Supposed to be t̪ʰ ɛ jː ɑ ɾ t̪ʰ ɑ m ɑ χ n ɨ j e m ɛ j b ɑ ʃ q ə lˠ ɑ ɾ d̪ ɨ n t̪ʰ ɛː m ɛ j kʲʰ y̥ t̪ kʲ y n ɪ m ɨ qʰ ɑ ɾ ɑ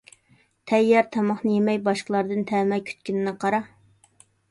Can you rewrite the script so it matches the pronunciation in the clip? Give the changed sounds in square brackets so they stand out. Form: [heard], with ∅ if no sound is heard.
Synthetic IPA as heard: t̪ʰ ɛ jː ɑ ɾ t̪ʰ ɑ m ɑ χ n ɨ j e m ɛ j b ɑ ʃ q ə lˠ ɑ ɾ d̪ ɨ n t̪ʰ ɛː m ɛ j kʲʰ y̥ t̪ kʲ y n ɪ [n] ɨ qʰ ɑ ɾ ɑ